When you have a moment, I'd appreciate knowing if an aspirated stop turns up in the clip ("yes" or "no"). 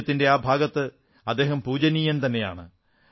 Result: no